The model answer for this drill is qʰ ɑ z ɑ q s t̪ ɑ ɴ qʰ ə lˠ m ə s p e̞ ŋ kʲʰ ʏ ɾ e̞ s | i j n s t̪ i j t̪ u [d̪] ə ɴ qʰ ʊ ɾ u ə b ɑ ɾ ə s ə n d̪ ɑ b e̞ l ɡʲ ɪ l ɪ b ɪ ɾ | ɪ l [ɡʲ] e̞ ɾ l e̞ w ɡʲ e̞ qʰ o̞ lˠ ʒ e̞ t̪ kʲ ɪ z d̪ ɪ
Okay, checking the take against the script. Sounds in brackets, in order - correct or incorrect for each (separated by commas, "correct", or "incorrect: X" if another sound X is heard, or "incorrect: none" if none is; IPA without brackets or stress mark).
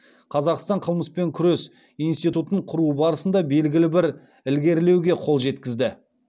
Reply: incorrect: t̪, correct